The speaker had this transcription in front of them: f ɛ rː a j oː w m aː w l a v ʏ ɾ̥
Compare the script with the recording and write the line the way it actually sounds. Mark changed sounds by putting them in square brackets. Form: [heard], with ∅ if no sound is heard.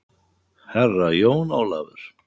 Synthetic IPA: [h] ɛ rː a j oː w [n] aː w l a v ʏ ɾ̥